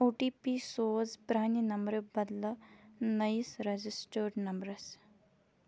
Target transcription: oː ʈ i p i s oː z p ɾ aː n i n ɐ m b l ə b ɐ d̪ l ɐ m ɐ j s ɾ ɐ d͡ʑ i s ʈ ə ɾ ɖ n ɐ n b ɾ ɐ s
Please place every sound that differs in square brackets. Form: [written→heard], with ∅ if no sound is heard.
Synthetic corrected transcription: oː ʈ i p i s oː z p ɾ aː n i n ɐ m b [l→ɾ] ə b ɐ d̪ l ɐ [m→n] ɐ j s ɾ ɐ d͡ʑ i s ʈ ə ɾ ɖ n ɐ [n→m] b ɾ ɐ s